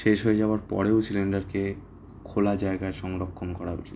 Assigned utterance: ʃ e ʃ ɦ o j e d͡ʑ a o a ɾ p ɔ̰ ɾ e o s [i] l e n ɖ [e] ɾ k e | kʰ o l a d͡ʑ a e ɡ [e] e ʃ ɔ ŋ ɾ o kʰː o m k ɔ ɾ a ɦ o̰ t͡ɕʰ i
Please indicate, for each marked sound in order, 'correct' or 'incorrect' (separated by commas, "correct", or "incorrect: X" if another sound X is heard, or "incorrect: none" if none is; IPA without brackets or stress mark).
correct, incorrect: a, incorrect: a